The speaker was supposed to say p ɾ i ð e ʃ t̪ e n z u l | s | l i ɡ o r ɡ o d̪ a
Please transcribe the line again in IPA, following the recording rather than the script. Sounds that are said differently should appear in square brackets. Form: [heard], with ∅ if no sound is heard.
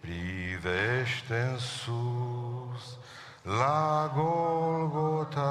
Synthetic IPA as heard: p ɾ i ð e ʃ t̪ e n [s] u [∅] | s | l [a] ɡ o [l] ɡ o [t̪] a